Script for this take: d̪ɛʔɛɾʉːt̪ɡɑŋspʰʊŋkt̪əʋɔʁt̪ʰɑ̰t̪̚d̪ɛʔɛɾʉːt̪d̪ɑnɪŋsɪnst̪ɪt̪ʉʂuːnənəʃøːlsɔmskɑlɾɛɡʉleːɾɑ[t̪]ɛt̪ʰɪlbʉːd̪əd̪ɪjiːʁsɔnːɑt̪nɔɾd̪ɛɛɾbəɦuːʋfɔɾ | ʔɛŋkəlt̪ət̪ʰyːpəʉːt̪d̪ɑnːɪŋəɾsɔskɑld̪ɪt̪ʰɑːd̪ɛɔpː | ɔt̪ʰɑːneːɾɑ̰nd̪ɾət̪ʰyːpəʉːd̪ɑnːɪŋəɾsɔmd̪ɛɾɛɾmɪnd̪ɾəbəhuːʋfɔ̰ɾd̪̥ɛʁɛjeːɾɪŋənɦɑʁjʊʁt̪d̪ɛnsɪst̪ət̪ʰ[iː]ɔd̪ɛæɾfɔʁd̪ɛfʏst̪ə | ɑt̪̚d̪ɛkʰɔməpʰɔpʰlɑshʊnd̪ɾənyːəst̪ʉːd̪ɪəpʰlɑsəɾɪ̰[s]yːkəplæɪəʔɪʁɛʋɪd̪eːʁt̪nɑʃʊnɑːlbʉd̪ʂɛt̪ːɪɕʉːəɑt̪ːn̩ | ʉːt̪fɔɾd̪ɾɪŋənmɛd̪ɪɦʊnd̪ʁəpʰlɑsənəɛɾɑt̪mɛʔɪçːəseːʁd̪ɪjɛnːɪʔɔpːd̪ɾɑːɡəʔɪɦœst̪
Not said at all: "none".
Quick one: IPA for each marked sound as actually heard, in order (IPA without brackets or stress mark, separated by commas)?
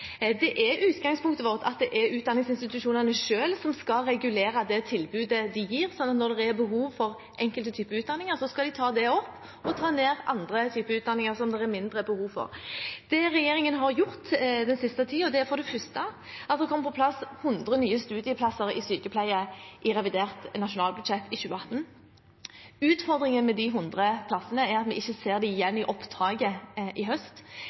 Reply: d̪, iː, s